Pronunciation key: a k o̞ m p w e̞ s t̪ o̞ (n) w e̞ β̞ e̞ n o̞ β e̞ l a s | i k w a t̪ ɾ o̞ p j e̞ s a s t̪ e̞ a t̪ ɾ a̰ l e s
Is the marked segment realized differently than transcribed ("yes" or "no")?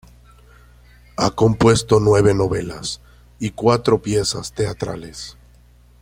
no